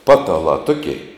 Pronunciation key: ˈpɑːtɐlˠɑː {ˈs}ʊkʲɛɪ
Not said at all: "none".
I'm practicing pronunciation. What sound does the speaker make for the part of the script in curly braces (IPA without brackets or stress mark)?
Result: t